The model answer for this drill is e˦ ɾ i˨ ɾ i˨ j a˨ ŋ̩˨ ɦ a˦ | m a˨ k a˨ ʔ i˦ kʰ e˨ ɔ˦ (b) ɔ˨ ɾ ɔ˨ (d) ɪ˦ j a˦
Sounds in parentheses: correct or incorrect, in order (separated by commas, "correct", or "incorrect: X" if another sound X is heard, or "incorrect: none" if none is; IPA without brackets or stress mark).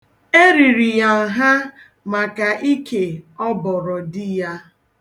correct, correct